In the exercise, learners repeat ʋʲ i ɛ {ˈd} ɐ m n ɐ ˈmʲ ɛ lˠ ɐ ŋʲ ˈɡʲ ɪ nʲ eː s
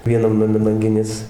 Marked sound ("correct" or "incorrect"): incorrect